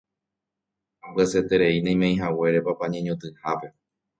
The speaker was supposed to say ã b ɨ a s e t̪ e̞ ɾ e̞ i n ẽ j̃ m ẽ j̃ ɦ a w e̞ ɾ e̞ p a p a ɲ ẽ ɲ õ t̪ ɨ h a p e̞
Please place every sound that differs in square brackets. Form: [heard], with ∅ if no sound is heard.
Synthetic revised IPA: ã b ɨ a s e t̪ e̞ ɾ e̞ i n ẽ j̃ m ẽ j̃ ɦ a w e̞ ɾ e̞ p a p a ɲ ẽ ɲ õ t̪ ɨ h a p e̞